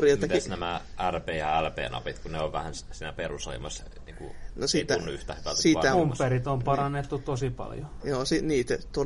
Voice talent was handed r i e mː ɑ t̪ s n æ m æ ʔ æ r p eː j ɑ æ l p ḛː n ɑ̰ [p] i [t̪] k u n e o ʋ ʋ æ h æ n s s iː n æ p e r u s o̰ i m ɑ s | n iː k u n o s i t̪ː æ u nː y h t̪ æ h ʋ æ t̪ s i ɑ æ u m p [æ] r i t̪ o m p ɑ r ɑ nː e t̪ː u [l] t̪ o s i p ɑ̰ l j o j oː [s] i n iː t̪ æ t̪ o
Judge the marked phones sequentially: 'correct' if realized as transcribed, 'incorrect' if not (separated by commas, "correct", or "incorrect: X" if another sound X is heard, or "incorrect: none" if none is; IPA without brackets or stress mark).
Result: correct, correct, incorrect: e, incorrect: none, correct